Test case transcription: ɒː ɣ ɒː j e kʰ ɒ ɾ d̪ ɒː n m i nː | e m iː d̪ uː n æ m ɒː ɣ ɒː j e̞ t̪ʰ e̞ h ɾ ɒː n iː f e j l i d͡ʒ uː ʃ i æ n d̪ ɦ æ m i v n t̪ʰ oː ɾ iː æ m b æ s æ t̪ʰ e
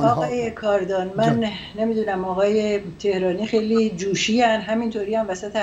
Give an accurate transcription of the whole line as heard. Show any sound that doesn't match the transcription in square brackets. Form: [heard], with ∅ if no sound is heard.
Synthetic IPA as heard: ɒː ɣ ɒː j e kʰ ɒ ɾ d̪ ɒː n m [æ] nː | e m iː d̪ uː n æ m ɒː ɣ ɒː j e̞ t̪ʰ e̞ h ɾ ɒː n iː [x] e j l i d͡ʒ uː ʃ i æ n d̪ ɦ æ m i [∅] n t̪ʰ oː ɾ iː æ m [v] æ s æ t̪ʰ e

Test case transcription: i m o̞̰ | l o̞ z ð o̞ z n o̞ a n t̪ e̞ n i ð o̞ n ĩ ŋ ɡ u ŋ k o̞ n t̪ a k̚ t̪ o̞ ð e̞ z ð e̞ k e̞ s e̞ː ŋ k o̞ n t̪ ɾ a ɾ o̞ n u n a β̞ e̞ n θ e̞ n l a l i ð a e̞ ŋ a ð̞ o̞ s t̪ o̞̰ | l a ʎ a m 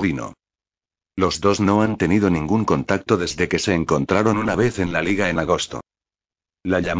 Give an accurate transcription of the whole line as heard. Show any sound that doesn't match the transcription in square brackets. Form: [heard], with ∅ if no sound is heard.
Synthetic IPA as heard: i [n] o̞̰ | l o̞ z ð o̞ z n o̞ a n t̪ e̞ n i ð o̞ n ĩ ŋ ɡ u ŋ k o̞ n t̪ a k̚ t̪ o̞ ð e̞ z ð e̞ k e̞ s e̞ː ŋ k o̞ n t̪ ɾ a ɾ o̞ n u n a β̞ e̞ [∅] θ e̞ n l a l i [ɣ] a e̞ [n] a [ɣ̞] o̞ s t̪ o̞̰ | l a ʎ a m

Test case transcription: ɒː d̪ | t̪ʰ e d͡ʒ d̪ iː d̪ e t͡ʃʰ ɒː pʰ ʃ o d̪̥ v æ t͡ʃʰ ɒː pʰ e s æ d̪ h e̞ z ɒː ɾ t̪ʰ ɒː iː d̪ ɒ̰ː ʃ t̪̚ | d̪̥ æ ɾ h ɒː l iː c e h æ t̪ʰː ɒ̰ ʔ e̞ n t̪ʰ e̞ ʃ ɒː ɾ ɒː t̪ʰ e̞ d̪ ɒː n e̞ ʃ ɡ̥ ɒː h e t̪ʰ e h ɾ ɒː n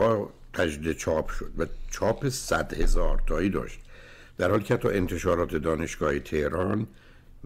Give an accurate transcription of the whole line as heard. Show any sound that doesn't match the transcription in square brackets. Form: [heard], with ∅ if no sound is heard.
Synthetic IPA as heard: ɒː [∅] | t̪ʰ [æ] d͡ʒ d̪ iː d̪ e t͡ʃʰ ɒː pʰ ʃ o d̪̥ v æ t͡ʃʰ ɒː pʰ e s æ d̪ h e̞ z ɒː ɾ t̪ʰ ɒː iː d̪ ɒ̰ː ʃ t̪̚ | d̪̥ æ ɾ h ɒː l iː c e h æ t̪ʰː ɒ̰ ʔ e̞ n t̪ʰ e̞ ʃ ɒː ɾ ɒː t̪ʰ e̞ d̪ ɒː n e̞ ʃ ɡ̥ ɒː h e t̪ʰ e h ɾ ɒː n

